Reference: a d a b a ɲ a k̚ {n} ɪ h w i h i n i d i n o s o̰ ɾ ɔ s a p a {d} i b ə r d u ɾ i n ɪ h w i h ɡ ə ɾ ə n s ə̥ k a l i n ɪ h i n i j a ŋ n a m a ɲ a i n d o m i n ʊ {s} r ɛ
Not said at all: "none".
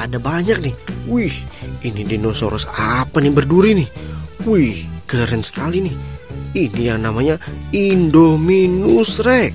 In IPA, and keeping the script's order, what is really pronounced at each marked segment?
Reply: n, n, s

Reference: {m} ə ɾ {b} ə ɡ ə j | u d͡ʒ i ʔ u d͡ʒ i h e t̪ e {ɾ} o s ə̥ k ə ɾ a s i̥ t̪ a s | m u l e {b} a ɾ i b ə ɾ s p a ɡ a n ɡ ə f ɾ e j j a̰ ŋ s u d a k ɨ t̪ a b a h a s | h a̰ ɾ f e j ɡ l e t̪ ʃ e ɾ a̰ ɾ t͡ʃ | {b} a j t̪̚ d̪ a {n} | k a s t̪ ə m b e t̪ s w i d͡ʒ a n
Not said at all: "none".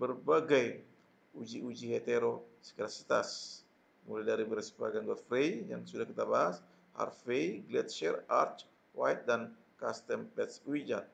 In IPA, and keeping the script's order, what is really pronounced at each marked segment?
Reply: b, b, ɾ, d, w, n

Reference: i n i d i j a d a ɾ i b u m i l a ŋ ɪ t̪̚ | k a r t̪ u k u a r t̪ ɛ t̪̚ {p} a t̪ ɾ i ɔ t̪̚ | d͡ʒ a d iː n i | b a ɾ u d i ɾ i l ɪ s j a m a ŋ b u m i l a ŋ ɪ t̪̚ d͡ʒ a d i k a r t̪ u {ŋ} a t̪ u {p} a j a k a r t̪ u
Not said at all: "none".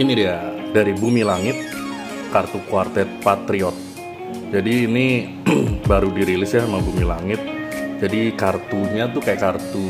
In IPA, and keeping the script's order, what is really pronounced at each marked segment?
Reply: p, ɲ, k

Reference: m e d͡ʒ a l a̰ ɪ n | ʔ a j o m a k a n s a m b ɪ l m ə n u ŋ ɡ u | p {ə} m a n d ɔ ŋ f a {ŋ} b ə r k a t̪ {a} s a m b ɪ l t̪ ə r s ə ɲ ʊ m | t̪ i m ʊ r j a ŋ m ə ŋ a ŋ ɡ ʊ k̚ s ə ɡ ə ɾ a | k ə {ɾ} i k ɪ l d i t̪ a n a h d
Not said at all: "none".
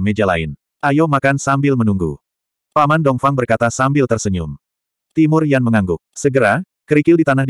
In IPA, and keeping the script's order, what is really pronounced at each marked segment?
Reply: a, ŋ, a, ɾ

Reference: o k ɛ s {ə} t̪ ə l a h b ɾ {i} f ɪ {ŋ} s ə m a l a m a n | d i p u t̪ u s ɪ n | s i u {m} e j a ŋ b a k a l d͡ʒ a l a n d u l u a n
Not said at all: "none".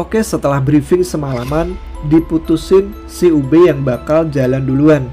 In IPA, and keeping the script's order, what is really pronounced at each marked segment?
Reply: ə, i, ŋ, b

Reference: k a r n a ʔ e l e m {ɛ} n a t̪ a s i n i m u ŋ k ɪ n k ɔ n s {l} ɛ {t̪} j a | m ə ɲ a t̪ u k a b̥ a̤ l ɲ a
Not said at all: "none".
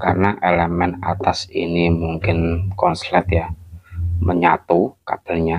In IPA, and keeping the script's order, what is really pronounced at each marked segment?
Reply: ɛ, l, t̪

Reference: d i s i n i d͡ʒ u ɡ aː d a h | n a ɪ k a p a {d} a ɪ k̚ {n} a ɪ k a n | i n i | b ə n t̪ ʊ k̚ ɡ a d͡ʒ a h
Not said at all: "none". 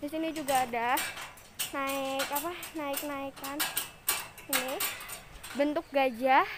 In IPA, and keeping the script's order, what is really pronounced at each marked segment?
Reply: n, n

